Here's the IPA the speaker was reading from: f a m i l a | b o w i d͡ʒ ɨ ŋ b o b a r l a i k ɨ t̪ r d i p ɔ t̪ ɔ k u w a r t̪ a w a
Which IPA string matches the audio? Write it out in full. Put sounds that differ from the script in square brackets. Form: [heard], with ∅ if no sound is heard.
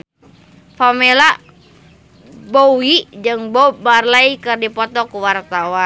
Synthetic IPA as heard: f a m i l a | b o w i d͡ʒ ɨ ŋ b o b a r l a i k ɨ [∅] r d i p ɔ t̪ ɔ k u w a r t̪ a w a

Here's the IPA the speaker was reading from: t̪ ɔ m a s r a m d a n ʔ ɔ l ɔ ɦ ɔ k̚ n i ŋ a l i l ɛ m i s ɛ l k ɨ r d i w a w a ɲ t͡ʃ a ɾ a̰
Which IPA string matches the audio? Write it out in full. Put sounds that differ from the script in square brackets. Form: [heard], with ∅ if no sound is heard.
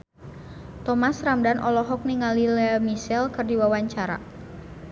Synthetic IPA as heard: t̪ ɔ m a s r a m d a n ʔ ɔ l ɔ ɦ ɔ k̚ n i ŋ a l i l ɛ m i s ɛ l k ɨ r d i w a w a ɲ t͡ʃ a ɾ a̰

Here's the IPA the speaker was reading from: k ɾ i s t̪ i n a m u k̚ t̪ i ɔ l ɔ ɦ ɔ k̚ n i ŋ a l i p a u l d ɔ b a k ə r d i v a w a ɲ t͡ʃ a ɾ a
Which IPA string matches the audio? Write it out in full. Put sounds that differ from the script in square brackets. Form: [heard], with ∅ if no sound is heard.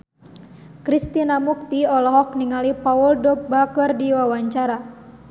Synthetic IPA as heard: k ɾ i s t̪ i n a m u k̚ t̪ i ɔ l ɔ ɦ ɔ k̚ n i ŋ a l i p a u l d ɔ b a k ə r d i [w] a w a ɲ t͡ʃ a ɾ a

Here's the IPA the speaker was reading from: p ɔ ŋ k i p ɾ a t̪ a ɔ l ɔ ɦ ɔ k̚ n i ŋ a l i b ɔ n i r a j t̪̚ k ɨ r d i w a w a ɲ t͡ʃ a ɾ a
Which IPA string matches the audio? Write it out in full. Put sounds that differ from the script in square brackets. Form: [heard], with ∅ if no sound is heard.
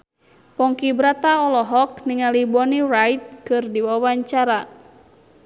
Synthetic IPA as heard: p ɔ ŋ k i [b] ɾ a t̪ a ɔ l ɔ ɦ ɔ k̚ n i ŋ a l i b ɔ n i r a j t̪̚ k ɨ r d i w a w a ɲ t͡ʃ a ɾ a

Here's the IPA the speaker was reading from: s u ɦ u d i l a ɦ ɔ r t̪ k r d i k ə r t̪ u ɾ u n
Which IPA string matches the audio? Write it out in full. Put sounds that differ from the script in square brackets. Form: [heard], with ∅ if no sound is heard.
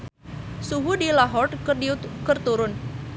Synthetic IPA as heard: s u ɦ u d i l a ɦ ɔ r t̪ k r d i k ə r t̪ u ɾ [ʊ] n

